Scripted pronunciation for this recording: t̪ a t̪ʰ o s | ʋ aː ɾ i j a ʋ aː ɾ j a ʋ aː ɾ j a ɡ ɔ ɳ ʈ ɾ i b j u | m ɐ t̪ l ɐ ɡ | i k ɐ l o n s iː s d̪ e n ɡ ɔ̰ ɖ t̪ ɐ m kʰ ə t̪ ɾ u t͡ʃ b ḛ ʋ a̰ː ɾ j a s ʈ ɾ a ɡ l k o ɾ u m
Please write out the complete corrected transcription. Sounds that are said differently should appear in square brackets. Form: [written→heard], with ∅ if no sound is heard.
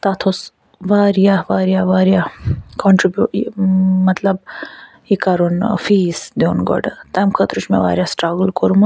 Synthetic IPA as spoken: t̪ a t̪ʰ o s | ʋ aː ɾ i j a ʋ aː ɾ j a ʋ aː ɾ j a [ɡ→k] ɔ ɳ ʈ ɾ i b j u | m ɐ t̪ l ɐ [ɡ→b] | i k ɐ [l→ɾ] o n [s→f] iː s d̪ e n ɡ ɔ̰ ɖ t̪ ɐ m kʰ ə t̪ ɾ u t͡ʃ [b→m] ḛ ʋ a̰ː ɾ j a s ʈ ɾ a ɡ l k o ɾ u m